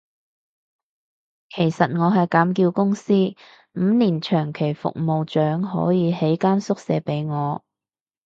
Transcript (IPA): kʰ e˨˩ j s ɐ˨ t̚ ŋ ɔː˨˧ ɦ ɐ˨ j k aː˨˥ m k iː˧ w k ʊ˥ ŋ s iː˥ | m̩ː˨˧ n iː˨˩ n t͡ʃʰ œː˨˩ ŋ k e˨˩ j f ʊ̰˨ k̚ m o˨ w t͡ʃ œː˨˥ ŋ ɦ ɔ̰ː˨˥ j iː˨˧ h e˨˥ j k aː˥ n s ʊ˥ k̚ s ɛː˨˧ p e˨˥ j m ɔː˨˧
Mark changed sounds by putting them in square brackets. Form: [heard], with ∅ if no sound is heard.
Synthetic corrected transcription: kʰ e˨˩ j s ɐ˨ t̚ ŋ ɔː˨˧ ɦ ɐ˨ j k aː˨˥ m k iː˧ w k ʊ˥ ŋ s iː˥ | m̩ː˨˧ n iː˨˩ n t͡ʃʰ œː˨˩ ŋ [kʰ] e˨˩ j f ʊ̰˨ k̚ m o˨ w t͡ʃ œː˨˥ ŋ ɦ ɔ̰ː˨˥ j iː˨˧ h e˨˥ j k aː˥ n s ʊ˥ k̚ s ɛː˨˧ p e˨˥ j [ŋ] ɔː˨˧